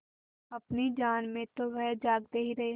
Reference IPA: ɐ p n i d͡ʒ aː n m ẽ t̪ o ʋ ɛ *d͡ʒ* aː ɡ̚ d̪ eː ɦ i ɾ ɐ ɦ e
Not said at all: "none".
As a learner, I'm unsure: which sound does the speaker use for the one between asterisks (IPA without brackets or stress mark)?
d͡ʒ